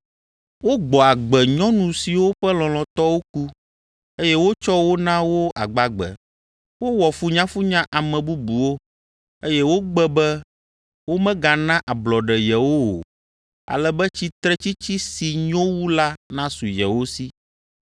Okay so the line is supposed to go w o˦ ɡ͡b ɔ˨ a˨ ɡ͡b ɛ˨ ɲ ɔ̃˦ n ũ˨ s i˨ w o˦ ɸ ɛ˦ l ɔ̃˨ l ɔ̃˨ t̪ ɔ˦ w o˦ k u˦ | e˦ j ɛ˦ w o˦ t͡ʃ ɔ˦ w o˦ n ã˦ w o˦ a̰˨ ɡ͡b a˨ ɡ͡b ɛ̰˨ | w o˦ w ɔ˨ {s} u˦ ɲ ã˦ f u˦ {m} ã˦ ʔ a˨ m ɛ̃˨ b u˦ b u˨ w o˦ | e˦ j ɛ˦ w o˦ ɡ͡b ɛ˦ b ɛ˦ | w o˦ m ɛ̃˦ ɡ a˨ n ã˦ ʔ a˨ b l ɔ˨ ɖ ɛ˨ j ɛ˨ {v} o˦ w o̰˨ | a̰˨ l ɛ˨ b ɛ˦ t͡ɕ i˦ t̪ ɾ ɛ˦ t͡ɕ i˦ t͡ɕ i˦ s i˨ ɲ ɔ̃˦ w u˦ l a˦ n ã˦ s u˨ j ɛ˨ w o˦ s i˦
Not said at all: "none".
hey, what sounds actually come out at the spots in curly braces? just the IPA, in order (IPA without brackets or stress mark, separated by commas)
f, ɲ, w